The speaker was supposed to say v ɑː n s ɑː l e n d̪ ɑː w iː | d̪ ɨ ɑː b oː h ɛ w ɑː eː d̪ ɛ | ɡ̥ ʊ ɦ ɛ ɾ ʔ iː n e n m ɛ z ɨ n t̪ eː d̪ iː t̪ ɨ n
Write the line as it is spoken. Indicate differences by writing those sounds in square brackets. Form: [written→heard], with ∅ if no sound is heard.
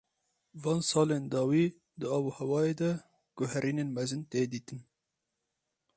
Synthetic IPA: v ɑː n s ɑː l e n d̪ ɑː w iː | d̪ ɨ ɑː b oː h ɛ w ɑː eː d̪ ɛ | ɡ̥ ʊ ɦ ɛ ɾ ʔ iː n e n m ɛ z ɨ n t̪ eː d̪ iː t̪ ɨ n